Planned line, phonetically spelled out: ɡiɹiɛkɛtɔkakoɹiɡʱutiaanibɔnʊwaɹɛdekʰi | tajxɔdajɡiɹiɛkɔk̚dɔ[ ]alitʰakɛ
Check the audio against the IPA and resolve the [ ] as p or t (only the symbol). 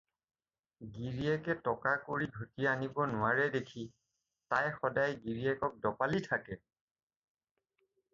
p